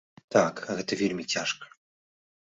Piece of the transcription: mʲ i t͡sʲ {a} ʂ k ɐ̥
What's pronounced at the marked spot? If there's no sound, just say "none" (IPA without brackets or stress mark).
a